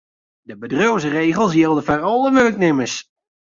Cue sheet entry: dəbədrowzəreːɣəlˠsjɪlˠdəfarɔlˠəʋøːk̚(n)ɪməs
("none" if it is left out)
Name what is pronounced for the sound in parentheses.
n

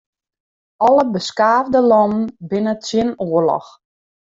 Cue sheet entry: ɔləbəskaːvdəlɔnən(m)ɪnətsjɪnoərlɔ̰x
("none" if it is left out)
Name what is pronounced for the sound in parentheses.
b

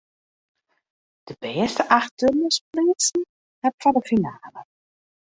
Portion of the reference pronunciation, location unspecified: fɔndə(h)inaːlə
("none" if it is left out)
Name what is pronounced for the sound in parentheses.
f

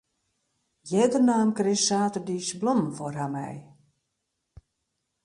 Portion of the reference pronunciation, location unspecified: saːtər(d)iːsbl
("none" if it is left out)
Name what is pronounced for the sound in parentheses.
d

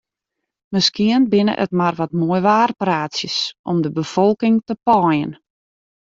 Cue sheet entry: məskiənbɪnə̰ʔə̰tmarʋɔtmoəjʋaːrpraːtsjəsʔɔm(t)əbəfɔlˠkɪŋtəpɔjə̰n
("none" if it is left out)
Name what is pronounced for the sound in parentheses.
d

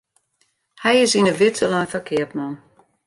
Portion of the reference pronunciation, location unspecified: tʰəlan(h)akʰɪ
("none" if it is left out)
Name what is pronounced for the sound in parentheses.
f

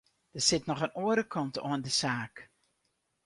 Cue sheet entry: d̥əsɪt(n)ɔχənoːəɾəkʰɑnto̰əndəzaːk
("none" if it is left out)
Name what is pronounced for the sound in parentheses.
n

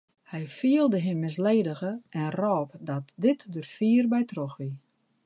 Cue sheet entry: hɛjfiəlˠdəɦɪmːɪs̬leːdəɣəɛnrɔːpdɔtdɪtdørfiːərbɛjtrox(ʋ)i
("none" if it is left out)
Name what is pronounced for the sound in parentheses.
ʋ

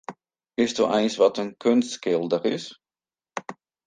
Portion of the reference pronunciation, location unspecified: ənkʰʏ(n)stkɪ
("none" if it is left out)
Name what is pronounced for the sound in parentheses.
n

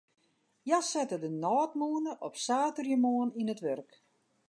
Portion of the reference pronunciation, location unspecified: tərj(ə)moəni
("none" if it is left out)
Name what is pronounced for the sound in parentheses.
ə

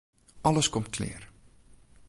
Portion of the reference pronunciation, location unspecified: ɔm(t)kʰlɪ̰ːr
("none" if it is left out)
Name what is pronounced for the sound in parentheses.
t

